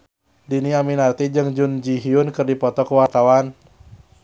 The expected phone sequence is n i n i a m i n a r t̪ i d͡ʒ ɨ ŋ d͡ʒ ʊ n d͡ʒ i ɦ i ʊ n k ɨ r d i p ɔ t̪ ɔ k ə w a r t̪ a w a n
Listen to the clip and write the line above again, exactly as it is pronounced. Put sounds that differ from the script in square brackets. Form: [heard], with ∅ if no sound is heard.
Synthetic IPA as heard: [d] i n i a m i n a r t̪ i d͡ʒ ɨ ŋ d͡ʒ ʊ n d͡ʒ i ɦ i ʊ n k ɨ r d i p ɔ t̪ ɔ k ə w a r t̪ a w a n